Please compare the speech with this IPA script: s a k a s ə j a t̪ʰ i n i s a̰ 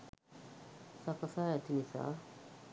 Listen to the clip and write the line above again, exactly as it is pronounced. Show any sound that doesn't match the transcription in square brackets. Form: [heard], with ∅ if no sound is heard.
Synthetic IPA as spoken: s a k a s [a] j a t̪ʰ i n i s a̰